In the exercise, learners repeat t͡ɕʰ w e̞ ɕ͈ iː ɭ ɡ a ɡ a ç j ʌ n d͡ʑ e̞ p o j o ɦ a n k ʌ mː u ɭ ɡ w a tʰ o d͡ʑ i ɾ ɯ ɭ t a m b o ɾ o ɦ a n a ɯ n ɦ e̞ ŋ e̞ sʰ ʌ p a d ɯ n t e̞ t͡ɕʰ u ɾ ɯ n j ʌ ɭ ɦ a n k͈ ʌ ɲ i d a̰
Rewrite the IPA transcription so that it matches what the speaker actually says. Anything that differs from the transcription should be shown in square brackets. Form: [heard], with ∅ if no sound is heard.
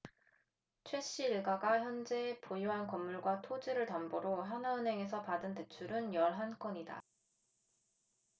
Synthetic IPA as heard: t͡ɕʰ w e̞ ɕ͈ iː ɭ ɡ a ɡ a ç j ʌ n d͡ʑ e̞ p o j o ɦ a n k ʌ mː u ɭ ɡ w a tʰ o d͡ʑ i ɾ ɯ ɭ t a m b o ɾ o ɦ a n a ɯ n ɦ e̞ ŋ e̞ sʰ ʌ p a d ɯ n t e̞ t͡ɕʰ u ɾ ɯ n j ʌ ɭ ɦ a n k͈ ʌ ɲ i d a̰